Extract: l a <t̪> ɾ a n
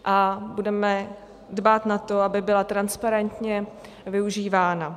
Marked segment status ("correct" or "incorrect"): correct